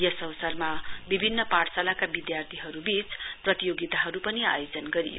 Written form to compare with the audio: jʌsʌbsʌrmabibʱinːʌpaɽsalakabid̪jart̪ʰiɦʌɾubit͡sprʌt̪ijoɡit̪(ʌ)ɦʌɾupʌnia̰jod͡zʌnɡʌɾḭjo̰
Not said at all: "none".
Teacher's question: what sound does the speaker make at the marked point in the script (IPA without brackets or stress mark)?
a